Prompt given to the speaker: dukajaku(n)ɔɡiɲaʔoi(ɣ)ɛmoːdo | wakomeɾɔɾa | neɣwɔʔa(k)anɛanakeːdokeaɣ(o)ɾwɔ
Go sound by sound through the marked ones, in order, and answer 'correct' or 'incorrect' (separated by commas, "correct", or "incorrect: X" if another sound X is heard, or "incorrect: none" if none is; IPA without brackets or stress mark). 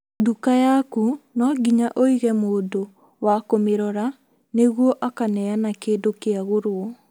correct, correct, correct, correct